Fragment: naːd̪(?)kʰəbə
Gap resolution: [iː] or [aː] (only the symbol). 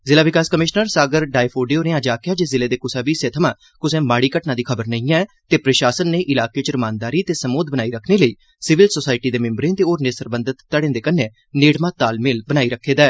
iː